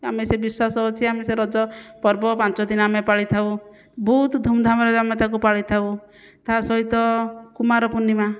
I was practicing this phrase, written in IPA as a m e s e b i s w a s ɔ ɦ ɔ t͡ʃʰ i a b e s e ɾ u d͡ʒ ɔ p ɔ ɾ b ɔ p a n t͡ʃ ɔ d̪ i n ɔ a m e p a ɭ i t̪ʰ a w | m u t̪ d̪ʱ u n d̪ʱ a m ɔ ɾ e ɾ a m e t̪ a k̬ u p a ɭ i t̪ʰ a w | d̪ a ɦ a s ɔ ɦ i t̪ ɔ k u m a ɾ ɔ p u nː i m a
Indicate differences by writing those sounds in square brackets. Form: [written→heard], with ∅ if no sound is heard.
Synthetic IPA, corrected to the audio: a m e s e b i s w a s ɔ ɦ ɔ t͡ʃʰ i a [b→m] e s e ɾ [u→ɔ] d͡ʒ ɔ p ɔ ɾ b ɔ p a n t͡ʃ ɔ d̪ i n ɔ a m e p a ɭ i t̪ʰ a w | [m→b] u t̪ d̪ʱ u [n→m] d̪ʱ a m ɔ ɾ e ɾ a m e t̪ a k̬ u p a ɭ i t̪ʰ a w | [d̪→t̪] a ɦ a s ɔ ɦ i t̪ ɔ k u m a ɾ ɔ p u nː i m a